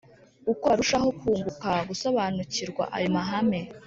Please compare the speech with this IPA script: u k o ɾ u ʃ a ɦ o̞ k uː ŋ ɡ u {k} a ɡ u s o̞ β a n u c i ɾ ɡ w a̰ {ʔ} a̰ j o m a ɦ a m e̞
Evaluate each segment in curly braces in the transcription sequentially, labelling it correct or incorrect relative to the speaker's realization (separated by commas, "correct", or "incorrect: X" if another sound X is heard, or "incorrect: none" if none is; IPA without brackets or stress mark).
correct, correct